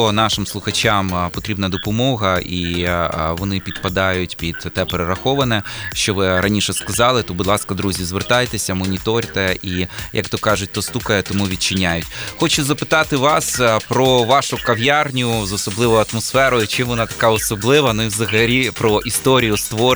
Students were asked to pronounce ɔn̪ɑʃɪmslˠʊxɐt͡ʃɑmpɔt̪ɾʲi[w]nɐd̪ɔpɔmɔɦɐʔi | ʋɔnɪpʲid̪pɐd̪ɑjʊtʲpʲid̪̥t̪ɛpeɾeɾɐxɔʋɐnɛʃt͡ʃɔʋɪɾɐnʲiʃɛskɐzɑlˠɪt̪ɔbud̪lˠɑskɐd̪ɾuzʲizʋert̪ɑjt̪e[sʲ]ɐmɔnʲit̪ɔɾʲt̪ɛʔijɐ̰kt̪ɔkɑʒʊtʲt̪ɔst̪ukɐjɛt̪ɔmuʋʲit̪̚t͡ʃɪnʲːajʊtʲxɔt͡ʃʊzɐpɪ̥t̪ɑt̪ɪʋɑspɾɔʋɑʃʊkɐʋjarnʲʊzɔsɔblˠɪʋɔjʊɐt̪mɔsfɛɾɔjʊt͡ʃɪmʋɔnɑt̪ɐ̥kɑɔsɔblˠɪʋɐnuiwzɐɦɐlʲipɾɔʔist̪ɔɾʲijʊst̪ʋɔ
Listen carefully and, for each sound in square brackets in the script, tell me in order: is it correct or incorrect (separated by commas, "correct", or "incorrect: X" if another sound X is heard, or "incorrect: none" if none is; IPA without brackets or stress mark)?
incorrect: b, correct